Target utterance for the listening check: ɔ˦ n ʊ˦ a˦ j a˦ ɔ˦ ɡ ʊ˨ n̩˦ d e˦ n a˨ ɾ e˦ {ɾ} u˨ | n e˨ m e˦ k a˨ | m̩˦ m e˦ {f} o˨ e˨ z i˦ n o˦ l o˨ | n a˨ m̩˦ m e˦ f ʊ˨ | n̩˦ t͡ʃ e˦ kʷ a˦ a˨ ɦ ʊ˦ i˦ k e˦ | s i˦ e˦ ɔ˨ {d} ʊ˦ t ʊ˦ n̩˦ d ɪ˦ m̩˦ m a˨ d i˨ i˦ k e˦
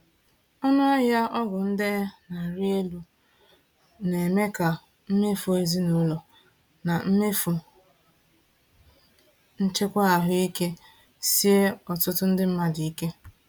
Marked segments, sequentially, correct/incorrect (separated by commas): incorrect, correct, incorrect